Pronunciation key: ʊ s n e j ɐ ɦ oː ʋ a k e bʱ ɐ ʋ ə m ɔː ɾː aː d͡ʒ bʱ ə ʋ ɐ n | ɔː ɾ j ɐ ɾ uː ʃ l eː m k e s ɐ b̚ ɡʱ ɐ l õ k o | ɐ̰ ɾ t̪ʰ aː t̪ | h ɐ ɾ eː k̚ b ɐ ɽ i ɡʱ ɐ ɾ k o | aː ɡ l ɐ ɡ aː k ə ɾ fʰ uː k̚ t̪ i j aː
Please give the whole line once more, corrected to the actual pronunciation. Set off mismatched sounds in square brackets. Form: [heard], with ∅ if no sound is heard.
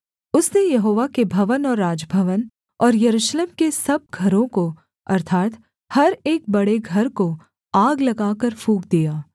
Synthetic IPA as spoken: ʊ s n e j ɐ ɦ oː ʋ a k e bʱ ɐ ʋ ə [n] ɔː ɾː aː d͡ʒ bʱ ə ʋ [ə] n | ɔː ɾ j ɐ ɾ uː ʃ l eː m k e s ɐ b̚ ɡʱ ɐ [ɾ] õ k o | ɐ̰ ɾ t̪ʰ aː t̪ | h ɐ ɾ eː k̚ b ɐ ɽ [e] ɡʱ ɐ ɾ k o | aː ɡ l ɐ ɡ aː k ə ɾ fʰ uː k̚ [d̪] i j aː